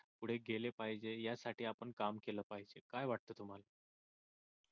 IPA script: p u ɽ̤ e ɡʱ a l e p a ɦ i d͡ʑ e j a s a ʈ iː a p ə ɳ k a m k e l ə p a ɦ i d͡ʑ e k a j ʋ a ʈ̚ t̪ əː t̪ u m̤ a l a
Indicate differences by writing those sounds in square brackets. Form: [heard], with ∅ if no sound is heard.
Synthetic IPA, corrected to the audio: p u ɽ̤ e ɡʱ [e] l e p a ɦ i d͡ʑ e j a s a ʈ iː a p ə ɳ k a m k e l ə p a ɦ i d͡ʑ e k a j ʋ a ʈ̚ t̪ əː t̪ u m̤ a l a